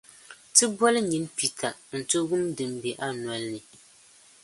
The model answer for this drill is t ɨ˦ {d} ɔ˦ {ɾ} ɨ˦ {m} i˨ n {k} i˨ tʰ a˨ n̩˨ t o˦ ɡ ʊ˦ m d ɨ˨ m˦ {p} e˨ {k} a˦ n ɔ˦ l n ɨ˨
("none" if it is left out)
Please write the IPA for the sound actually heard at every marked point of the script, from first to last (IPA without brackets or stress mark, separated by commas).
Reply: b, l, ɲ, p, b, ʔ